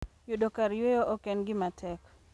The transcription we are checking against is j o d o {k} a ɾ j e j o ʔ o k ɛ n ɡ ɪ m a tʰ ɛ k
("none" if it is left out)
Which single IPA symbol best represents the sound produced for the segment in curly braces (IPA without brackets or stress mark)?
k